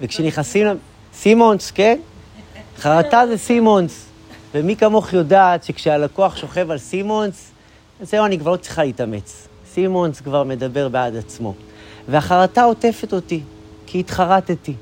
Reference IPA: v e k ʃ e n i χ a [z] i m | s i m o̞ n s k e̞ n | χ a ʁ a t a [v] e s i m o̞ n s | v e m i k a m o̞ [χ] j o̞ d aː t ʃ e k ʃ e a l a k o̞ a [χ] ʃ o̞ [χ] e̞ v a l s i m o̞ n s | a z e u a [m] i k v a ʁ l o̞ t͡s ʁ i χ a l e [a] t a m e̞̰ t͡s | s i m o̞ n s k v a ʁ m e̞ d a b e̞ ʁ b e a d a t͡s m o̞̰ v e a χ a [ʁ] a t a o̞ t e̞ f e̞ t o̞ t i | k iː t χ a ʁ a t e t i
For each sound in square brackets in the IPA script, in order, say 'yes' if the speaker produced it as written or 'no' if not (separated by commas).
no, no, yes, yes, yes, no, no, yes